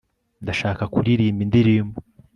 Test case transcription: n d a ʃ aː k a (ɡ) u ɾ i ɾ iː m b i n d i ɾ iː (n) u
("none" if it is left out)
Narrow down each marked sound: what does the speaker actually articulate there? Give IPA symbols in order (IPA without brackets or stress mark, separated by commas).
k, m